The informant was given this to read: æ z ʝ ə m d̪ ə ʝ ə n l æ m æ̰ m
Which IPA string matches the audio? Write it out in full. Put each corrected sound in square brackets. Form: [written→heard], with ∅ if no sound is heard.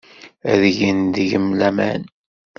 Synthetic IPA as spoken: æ [z→ð] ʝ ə [m→n] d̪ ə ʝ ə [n→m] l æ m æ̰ [m→n]